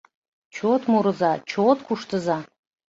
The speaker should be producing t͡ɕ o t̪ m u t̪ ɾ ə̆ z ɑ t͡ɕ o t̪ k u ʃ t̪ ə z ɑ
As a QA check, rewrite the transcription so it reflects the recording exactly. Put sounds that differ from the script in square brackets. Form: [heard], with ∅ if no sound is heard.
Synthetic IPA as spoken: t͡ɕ o t̪ m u [∅] ɾ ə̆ z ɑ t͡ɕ o t̪ k u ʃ t̪ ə z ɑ